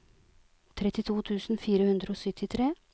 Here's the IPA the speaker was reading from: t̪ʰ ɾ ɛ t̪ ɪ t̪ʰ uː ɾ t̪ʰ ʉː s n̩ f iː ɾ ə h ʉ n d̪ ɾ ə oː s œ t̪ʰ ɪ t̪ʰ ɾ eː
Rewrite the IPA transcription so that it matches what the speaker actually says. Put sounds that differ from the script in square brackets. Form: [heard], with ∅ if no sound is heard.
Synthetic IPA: t̪ʰ ɾ ɛ t̪ ɪ t̪ʰ uː [∅] t̪ʰ ʉː s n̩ f iː ɾ ə h ʉ n d̪ ɾ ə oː s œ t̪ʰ ɪ t̪ʰ ɾ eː

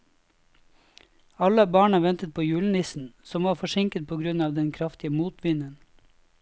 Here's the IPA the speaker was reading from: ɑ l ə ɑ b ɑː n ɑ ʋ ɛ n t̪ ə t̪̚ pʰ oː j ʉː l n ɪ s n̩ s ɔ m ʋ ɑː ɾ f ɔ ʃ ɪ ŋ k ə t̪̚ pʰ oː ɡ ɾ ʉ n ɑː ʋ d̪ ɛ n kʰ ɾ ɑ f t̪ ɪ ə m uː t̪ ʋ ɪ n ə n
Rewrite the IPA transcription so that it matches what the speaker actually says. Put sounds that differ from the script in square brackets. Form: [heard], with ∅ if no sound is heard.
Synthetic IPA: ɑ l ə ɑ b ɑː [ɳ] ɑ ʋ ɛ n t̪ ə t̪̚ pʰ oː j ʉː l n ɪ s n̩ s ɔ m ʋ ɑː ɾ f ɔ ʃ ɪ ŋ k ə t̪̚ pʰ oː ɡ ɾ ʉ n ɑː ʋ d̪ ɛ n kʰ ɾ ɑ f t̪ ɪ ə m uː t̪ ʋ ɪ n ə n

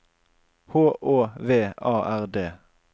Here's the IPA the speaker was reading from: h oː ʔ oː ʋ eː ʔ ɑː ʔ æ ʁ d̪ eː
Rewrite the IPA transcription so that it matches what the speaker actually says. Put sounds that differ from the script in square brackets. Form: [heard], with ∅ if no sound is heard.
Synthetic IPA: h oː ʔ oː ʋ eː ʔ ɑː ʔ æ ʁ d̪ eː

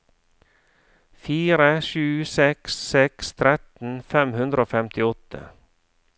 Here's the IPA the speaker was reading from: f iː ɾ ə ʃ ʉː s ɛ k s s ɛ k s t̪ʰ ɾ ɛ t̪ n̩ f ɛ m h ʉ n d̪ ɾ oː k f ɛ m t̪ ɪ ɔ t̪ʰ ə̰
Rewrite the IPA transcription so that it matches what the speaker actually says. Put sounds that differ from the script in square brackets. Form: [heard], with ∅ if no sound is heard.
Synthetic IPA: f iː ɾ ə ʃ ʉː s ɛ k s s ɛ k s t̪ʰ ɾ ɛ t̪ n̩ f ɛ m h ʉ n d̪ ɾ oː [∅] f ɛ m t̪ ɪ ɔ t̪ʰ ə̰

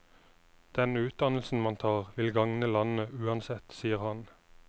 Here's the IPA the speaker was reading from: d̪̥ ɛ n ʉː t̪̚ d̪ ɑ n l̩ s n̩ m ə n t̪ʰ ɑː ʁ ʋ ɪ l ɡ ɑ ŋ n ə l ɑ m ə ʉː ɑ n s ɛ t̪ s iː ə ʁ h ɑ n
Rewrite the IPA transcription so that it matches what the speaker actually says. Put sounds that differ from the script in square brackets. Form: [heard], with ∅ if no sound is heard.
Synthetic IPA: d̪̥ ɛ n ʉː t̪̚ d̪ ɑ n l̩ s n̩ m [ɑ] n t̪ʰ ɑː ʁ ʋ ɪ l ɡ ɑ ŋ n ə l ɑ [n] ə ʉː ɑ n s ɛ t̪ s iː ə ʁ h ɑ n

